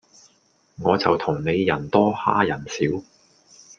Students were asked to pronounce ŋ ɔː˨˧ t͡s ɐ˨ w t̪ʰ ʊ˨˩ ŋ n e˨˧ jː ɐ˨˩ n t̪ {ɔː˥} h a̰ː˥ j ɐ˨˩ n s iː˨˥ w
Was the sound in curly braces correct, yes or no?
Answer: yes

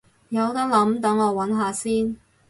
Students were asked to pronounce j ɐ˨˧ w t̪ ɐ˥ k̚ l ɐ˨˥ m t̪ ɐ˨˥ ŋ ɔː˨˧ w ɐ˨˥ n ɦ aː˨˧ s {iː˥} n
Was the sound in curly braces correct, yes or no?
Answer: yes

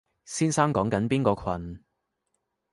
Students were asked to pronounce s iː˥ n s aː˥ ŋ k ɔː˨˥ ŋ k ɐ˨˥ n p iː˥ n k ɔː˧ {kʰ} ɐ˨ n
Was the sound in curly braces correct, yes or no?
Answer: yes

